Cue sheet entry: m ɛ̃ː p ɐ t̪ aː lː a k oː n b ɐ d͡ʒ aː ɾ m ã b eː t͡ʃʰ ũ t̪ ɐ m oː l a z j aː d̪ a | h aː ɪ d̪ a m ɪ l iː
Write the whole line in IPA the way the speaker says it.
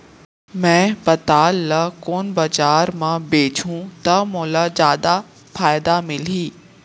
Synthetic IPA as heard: m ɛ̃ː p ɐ t̪ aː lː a k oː n b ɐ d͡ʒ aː ɾ m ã b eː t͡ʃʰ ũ t̪ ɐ m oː l a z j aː d̪ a | f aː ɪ d̪ a m ɪ l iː